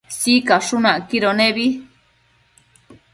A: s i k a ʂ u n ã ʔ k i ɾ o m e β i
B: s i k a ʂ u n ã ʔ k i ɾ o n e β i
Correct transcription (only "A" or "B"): B